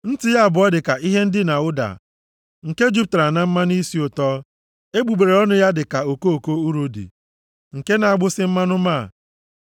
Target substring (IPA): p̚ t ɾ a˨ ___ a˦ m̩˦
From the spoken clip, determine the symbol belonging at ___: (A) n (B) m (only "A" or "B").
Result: A